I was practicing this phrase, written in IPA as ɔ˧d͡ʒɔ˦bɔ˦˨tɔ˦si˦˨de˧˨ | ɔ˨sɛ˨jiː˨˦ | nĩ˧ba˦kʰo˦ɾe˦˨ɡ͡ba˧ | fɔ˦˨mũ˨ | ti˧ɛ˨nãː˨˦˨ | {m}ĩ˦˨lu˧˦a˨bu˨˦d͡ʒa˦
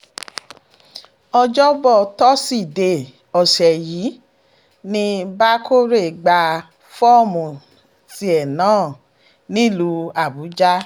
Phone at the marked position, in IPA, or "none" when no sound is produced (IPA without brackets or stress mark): n